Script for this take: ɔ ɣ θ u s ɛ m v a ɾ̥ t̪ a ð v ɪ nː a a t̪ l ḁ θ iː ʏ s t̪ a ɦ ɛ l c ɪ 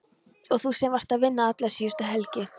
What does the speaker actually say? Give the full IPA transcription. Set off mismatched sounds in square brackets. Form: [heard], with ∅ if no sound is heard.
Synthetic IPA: ɔ ɣ θ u s ɛ m v a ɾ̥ t̪ a ð v ɪ nː a a t̪ l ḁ [s] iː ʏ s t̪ a ɦ ɛ l c ɪ

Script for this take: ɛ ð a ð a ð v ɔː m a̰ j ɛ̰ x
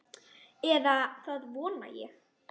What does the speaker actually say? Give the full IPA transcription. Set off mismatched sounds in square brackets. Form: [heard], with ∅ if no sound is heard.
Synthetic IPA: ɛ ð a [θ] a ð v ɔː [n] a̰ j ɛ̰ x

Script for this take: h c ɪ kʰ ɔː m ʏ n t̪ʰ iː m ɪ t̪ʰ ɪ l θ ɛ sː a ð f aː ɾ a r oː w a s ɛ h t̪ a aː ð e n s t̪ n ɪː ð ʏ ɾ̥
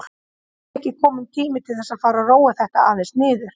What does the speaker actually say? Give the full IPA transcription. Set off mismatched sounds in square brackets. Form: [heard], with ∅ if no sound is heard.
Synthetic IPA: h c ɪ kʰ ɔː m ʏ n t̪ʰ iː m ɪ t̪ʰ ɪ l θ ɛ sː a ð f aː ɾ a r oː w a [θ] ɛ h t̪ a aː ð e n s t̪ n ɪː ð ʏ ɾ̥

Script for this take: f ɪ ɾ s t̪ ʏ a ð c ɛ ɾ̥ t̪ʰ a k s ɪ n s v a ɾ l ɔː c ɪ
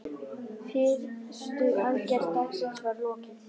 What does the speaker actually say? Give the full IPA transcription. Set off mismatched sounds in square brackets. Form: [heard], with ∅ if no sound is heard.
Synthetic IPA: f ɪ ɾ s t̪ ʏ a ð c ɛ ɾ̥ [t̪] a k s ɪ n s v a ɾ l ɔː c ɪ

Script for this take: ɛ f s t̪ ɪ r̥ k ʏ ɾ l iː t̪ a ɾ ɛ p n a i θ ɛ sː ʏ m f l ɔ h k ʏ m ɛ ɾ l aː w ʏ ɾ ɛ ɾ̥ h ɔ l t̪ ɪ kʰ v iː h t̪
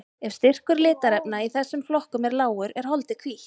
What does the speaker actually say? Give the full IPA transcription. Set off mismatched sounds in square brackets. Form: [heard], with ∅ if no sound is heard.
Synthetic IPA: ɛ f s t̪ ɪ r̥ k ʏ ɾ l [ɪː] t̪ a ɾ ɛ p n a i θ ɛ sː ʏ m f l ɔ h k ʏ m ɛ ɾ l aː w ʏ ɾ ɛ ɾ̥ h ɔ l t̪ ɪ kʰ v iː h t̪

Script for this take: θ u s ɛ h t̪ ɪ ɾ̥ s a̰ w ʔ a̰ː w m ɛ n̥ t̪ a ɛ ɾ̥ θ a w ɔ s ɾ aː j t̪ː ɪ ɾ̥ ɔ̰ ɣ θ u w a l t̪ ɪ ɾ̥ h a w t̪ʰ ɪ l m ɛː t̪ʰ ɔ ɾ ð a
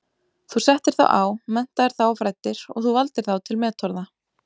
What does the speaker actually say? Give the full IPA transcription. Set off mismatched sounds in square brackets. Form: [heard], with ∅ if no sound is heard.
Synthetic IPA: θ u s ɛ h t̪ ɪ ɾ̥ [θ] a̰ w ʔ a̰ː w m ɛ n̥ t̪ a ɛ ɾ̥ θ a w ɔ [f] ɾ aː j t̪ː ɪ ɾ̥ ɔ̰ ɣ θ u [v] a l t̪ ɪ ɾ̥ [θ] a w t̪ʰ ɪ l m ɛː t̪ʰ ɔ ɾ ð a

